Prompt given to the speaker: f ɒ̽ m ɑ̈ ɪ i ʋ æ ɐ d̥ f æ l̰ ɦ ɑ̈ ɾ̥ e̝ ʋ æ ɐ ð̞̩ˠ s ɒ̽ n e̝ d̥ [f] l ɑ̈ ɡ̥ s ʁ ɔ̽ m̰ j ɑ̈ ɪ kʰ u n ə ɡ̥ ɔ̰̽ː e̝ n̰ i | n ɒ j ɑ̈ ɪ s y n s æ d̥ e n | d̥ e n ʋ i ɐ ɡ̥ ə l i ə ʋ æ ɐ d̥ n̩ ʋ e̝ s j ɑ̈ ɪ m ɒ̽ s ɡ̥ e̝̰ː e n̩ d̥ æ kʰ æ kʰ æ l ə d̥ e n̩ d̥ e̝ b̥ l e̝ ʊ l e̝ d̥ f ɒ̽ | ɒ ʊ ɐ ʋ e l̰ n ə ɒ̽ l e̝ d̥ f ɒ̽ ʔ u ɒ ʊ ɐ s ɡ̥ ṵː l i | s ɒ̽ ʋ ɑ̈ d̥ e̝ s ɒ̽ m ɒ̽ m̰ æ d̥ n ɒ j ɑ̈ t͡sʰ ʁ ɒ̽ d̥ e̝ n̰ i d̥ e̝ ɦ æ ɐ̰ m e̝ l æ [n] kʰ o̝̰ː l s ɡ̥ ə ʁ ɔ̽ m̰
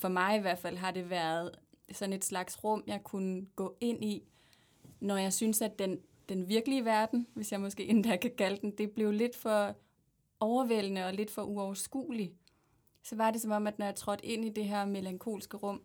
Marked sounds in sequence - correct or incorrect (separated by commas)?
incorrect, incorrect